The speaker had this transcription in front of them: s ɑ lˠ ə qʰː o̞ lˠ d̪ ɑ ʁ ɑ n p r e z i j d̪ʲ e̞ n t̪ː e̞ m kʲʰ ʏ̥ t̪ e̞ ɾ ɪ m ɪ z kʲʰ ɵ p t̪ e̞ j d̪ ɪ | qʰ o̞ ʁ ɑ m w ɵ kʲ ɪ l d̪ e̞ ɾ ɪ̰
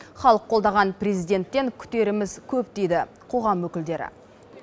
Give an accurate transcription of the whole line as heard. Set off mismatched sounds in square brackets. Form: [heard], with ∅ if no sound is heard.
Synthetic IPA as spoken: [χ] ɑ lˠ ə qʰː o̞ lˠ d̪ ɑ ʁ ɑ n p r e z i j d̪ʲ e̞ n t̪ː e̞ [ŋ] kʲʰ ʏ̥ t̪ e̞ ɾ ɪ m ɪ z kʲʰ ɵ p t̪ e̞ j d̪ ɪ | qʰ o̞ ʁ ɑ m w ɵ kʲ ɪ l d̪ e̞ ɾ ɪ̰